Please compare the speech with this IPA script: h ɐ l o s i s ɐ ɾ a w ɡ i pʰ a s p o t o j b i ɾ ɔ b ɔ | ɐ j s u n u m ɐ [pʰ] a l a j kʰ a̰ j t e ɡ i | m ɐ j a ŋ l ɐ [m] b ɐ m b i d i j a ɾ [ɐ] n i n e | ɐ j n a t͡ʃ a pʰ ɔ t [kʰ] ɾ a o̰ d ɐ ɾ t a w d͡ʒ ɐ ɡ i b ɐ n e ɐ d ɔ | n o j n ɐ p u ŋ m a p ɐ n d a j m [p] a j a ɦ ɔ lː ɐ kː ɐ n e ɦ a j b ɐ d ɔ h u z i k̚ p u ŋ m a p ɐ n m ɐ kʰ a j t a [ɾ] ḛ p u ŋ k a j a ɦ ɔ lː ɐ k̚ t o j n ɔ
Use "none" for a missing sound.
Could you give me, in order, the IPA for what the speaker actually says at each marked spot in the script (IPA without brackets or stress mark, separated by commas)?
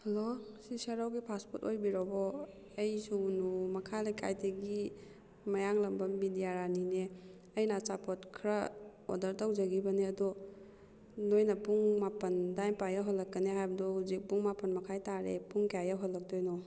kʰ, m, a, kʰ, p, ɾ